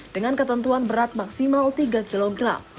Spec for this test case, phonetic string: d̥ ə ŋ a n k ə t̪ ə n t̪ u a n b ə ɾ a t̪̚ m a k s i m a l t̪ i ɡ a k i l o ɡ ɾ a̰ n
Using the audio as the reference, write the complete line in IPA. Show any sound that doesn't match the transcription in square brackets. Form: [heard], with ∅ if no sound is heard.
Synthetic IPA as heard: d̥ ə ŋ a n k ə t̪ ə n t̪ u a n b ə ɾ a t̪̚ m a k s i m a l t̪ i ɡ a k i l o ɡ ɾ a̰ [m]